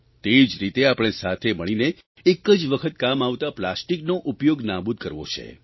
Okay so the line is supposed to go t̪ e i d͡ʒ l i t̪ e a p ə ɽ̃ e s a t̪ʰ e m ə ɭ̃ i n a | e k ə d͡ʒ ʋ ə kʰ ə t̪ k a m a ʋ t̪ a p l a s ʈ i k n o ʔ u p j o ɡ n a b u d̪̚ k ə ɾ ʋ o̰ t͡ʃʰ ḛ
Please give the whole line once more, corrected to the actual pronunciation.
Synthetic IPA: t̪ e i d͡ʒ ɾ i t̪ e a p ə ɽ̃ e s a t̪ʰ e m ə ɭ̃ i n e | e k ə d͡ʒ ʋ ə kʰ ə t̪ k a m a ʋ t̪ a p l a s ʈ i k n o ʔ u p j o ɡ n a b u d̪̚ k ə ɾ ʋ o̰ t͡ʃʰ ḛ

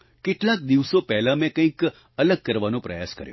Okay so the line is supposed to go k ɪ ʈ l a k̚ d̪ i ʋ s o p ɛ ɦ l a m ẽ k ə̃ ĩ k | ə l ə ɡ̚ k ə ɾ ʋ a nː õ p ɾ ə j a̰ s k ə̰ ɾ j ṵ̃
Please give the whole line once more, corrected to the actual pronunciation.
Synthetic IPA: k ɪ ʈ l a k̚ d̪ i ʋ s o p ɛ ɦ l a m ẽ k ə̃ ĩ k | ə l ə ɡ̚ k ə ɾ ʋ a n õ p ɾ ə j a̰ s k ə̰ ɾ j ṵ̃

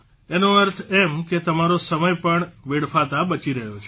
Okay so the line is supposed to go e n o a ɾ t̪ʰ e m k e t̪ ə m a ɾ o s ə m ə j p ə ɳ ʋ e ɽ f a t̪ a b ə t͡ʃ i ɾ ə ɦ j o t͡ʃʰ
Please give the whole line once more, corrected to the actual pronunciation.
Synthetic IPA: e n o ə ɾ t̪ʰ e m k e t̪ ə m a ɾ o s ə m ə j p ə ɳ ʋ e ɽ f a t̪ a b ə t͡ʃ i ɾ ə ɦ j o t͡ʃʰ

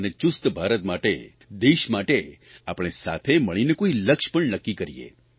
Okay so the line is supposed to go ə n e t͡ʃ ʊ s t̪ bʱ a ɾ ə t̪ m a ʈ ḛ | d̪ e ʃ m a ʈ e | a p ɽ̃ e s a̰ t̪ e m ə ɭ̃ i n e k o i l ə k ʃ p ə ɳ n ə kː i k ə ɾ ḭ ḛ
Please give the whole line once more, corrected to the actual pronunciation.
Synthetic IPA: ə n e t͡ʃ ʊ s t̪ bʱ a ɾ ə t̪ m a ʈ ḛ | d̪ e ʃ m a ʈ e | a p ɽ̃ e s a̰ t̪ʰ e m ə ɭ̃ i n e k o i l ə k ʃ p ə ɳ n ə kː i k ə ɾ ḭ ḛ

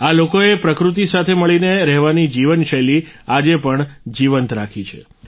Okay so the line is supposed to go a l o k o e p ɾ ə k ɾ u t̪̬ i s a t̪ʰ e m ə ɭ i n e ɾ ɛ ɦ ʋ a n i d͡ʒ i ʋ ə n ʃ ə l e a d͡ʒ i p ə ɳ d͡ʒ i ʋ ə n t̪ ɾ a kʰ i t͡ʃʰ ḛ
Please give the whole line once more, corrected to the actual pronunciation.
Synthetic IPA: a l o k o e p ɾ ə k ɾ u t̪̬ i s a t̪ʰ e m ə ɭ i n e ɾ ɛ ɦ ʋ a n i d͡ʒ i ʋ ə n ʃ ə l i a d͡ʒ e p ə ɳ d͡ʒ i ʋ ə n t̪ ɾ a kʰ i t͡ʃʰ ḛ

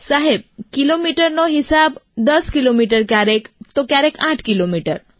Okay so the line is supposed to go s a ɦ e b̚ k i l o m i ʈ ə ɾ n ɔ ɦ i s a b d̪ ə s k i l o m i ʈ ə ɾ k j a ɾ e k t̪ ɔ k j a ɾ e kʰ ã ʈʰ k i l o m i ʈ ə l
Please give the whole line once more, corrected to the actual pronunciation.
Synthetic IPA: s a ɦ e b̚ k i l o m i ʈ ə ɾ n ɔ ɦ i s a b d̪ ə s k i l o m i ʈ ə ɾ k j a ɾ e k t̪ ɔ k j a ɾ e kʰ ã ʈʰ k i l o m i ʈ ə ɾ

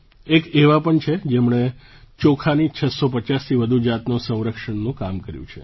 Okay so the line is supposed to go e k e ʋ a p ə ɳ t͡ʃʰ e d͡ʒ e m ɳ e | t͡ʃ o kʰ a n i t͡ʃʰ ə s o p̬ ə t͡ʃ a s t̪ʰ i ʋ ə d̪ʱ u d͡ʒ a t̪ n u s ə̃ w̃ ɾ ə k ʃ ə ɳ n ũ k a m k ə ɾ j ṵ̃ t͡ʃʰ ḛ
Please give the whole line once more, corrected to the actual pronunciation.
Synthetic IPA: e k e ʋ a p ə ɳ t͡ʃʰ e d͡ʒ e m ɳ e | t͡ʃ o kʰ a n i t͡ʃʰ ə s o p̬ ə t͡ʃ a s t̪ʰ i ʋ ə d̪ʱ u d͡ʒ a t̪ n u s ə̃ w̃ ɾ ə k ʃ ə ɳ n ũ k a m k ə ɾ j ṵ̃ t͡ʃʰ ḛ

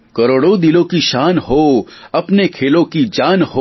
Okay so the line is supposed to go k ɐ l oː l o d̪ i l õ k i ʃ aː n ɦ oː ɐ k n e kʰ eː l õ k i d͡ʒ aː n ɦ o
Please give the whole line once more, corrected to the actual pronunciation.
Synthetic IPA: k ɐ ɾ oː ɽ o d̪ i l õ k i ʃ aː n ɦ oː ɐ p n e kʰ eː l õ k i d͡ʒ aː n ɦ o

